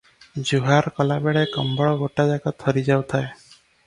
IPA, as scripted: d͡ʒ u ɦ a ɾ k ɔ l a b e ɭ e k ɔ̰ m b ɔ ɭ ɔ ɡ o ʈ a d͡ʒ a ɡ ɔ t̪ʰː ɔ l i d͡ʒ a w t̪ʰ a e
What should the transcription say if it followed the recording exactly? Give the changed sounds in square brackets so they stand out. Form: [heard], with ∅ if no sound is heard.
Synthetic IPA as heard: d͡ʒ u ɦ a ɾ k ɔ l a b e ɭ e k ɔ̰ m b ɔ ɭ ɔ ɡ o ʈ a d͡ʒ a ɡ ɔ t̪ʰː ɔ [ɾ] i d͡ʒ a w t̪ʰ a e